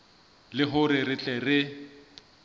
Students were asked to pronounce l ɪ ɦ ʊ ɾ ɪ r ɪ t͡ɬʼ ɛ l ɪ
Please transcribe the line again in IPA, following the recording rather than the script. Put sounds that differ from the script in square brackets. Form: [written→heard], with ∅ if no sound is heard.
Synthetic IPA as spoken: l ɪ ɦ ʊ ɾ ɪ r ɪ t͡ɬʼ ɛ [l→r] ɪ